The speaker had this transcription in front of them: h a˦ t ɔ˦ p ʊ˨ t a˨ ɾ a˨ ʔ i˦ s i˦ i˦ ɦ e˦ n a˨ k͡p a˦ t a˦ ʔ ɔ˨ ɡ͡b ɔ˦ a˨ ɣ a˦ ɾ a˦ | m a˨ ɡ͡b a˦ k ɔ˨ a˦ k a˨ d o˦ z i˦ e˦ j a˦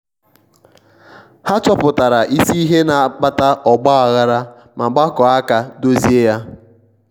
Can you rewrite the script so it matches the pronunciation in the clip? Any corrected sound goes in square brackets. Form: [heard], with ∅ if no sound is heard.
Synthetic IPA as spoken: h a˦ [t͡ʃ] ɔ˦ p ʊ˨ t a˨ ɾ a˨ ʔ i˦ s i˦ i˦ ɦ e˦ n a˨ k͡p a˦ t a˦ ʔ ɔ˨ ɡ͡b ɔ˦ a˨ ɣ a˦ ɾ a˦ | m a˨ ɡ͡b a˦ k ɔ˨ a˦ k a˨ d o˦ z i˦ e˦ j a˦